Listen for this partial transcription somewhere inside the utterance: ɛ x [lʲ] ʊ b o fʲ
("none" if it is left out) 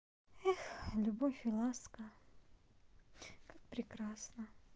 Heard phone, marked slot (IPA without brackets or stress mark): lʲ